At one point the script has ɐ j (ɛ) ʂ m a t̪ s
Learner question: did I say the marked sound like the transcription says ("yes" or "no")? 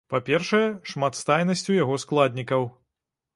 yes